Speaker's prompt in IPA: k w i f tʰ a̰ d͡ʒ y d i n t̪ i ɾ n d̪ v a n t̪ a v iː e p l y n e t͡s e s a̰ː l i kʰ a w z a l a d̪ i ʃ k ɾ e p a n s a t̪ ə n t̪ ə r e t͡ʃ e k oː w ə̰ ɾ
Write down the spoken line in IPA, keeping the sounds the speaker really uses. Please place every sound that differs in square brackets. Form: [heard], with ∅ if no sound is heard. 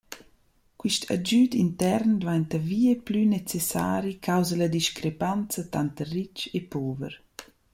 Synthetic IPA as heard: k w i [ʃ] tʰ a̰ d͡ʒ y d i n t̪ [ɛ] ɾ n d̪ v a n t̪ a v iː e p l y n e t͡s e s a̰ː [ɾ] i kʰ a w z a l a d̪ i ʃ k ɾ e p a n [t͡s] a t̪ [a] n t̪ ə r [i] t͡ʃ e [p] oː [v] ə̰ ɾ

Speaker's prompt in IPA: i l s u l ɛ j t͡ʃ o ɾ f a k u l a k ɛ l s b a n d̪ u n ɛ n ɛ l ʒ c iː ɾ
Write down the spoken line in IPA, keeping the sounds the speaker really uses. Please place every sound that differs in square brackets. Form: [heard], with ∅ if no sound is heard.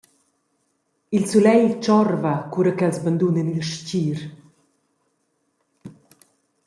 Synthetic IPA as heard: i l s u l ɛ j t͡ʃ [ɔ] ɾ [v] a k u [ɾ] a k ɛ l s b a n d̪ u n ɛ n [i] l [ʃ] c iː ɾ

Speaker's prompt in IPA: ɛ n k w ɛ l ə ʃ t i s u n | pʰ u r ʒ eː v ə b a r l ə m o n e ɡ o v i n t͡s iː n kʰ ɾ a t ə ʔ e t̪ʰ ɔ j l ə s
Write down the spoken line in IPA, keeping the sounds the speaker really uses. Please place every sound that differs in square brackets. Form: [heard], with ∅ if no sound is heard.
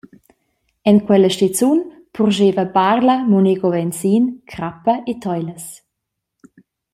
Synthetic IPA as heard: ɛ n k w ɛ l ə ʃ t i [t͡s] u n | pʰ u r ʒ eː v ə b a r l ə m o n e ɡ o v [ɛ] n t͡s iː n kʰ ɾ a [p] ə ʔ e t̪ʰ ɔ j l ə s

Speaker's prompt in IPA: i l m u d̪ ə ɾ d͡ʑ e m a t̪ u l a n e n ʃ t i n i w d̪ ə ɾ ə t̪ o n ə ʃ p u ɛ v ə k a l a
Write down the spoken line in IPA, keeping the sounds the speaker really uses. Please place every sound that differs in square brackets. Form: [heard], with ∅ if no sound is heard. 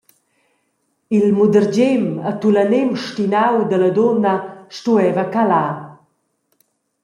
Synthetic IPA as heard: i l m u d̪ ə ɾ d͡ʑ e m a t̪ u l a n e [m] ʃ t i n [a] w d̪ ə [l] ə [d̪] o n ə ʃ [t] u ɛ v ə k a l a

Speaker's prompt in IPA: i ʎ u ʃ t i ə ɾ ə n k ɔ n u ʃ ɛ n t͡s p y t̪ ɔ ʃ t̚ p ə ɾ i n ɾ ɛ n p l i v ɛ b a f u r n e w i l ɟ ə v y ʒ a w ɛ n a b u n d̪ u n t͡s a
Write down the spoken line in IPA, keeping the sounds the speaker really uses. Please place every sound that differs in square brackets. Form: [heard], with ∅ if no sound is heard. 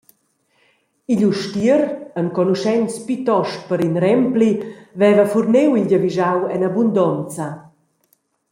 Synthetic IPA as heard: i ʎ u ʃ t i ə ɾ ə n k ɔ n u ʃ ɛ n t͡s p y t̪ ɔ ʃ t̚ p ə ɾ i n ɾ ɛ [m] p l i v ɛ [v] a f u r n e w i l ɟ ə v [i] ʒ a w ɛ n a b u n d̪ [ɔ] n t͡s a

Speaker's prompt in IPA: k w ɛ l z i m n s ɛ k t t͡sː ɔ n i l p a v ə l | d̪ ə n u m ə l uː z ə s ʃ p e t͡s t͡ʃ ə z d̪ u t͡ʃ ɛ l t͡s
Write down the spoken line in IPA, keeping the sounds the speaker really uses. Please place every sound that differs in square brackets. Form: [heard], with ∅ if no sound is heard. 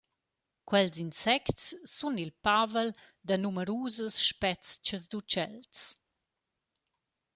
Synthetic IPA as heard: k w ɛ l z i [∅] n s ɛ k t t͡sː [u] n i l p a v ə l | d̪ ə n u m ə [ɾ] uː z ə s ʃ p [ɛ] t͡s t͡ʃ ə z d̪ u t͡ʃ ɛ l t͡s

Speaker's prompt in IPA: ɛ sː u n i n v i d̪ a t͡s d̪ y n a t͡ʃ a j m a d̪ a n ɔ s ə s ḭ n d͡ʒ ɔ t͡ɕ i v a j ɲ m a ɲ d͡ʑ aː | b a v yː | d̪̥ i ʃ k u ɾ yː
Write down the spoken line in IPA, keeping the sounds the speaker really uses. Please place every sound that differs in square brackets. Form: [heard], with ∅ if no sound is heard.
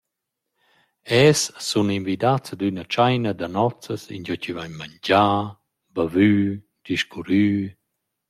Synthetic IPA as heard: ɛ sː u n i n v i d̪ a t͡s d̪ y n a t͡ʃ a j [n] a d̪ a n ɔ [t͡s] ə s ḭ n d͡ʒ ɔ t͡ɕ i v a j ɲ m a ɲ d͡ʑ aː | b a v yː | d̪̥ i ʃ k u ɾ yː

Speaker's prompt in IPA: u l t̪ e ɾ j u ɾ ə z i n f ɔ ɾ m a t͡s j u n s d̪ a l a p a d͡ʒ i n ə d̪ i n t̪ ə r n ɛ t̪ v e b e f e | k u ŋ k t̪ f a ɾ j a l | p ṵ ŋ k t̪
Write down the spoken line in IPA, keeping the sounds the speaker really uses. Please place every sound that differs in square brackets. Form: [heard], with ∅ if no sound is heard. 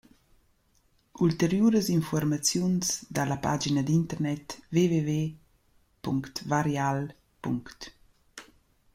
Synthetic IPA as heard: u l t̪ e ɾ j u ɾ ə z i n f ɔ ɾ m a t͡s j u n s d̪ a l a p a d͡ʒ i n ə d̪ i n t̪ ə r n ɛ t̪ v e [v] e [v] e | [p] u ŋ k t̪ [v] a ɾ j a l | p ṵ ŋ k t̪

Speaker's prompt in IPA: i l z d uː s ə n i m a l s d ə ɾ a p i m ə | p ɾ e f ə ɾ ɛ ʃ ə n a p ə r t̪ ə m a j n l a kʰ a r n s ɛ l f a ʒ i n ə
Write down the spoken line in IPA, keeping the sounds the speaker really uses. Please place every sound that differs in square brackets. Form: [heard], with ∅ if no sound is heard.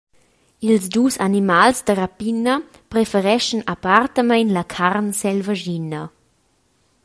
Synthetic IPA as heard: i l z d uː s [a] n i m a l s d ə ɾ a p i [n] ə | p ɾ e f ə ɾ ɛ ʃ ə n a p [a] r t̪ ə m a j n l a kʰ a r n s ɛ l [v] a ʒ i n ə

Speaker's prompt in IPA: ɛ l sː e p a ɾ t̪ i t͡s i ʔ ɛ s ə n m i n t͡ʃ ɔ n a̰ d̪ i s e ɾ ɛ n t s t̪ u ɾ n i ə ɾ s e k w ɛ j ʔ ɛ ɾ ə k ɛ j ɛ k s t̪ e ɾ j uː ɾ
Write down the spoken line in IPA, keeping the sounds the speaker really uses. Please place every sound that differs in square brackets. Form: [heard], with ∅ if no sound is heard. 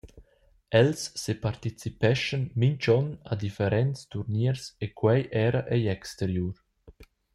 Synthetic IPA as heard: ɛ l sː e p a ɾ t̪ i t͡s i [p] ɛ [ʃ] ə n m i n t͡ʃ ɔ n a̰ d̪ i [f] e ɾ ɛ n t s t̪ u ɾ n i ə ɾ s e k w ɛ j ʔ ɛ ɾ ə [ʔ] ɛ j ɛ k s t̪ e ɾ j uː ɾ

